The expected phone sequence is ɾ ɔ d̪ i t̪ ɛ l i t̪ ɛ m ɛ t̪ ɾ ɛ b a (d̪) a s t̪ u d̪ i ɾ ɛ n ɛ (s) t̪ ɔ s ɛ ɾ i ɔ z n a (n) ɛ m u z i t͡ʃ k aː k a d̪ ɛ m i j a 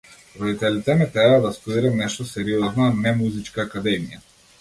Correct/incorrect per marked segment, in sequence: correct, incorrect, correct

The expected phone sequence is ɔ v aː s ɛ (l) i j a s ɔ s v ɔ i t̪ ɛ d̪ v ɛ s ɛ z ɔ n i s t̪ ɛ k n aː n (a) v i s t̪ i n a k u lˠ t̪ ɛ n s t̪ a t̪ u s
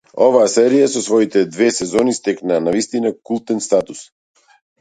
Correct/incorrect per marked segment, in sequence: incorrect, correct

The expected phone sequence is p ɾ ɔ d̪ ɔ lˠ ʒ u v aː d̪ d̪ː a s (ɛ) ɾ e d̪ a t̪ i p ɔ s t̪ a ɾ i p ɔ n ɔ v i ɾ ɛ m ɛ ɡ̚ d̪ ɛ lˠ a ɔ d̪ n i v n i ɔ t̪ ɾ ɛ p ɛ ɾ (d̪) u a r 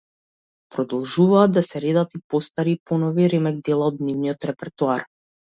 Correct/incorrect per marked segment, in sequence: correct, incorrect

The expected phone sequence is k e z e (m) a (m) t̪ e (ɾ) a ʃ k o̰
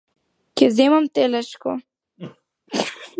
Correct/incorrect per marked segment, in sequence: correct, correct, incorrect

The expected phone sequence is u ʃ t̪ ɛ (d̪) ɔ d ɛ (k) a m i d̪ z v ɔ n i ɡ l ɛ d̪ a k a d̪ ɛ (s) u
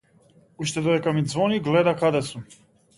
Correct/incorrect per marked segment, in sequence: correct, correct, correct

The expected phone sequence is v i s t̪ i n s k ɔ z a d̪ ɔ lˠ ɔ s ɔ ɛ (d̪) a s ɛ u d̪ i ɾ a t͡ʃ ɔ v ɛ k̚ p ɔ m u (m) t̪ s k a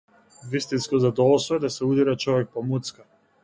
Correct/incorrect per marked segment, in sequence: correct, incorrect

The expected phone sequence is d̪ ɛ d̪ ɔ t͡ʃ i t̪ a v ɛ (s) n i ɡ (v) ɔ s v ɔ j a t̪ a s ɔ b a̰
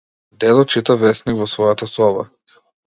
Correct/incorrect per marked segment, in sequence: correct, correct

